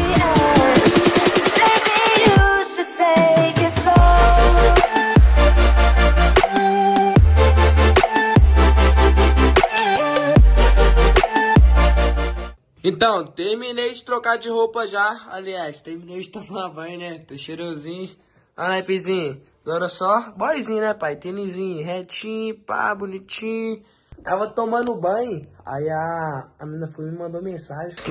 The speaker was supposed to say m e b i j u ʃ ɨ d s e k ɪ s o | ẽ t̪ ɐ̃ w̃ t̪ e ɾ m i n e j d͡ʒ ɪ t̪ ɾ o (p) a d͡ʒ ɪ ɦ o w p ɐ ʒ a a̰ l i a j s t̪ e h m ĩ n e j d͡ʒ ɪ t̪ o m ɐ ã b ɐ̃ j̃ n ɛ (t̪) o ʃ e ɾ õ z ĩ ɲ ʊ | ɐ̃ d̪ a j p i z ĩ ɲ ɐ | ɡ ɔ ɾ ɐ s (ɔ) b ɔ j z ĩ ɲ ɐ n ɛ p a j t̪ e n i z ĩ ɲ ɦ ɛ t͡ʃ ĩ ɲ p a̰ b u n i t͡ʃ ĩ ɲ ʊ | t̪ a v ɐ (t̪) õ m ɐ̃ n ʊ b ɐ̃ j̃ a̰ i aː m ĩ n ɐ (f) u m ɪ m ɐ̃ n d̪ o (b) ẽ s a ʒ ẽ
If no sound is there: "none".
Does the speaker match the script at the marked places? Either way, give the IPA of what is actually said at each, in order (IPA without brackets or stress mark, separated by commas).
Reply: k, t̪, ɔ, t̪, f, m